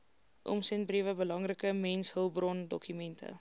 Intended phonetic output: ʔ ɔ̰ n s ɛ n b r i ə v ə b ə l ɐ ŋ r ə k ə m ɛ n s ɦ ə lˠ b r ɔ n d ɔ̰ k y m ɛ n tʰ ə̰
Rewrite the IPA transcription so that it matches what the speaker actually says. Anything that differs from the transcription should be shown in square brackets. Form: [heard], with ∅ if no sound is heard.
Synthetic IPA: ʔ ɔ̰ [m] s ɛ n b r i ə v ə b ə l ɐ ŋ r ə k ə m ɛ n s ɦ ə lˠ b r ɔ n d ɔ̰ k y m ɛ n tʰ ə̰